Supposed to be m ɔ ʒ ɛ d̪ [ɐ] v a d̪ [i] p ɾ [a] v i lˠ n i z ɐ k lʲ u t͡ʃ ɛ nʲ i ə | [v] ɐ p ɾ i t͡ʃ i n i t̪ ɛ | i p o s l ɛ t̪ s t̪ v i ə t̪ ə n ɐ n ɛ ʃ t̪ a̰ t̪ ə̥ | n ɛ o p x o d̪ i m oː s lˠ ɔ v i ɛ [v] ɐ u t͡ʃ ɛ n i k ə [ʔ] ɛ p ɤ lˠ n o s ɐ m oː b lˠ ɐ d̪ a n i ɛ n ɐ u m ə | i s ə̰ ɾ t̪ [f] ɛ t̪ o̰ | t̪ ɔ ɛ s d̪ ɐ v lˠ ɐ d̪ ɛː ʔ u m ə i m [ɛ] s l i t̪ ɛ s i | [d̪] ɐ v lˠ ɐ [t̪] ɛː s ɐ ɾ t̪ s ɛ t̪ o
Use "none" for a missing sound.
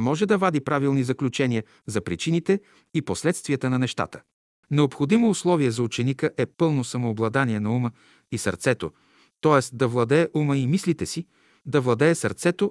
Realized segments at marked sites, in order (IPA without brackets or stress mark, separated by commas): ɐ, i, a, z, z, ʔ, s, i, d̪, d̪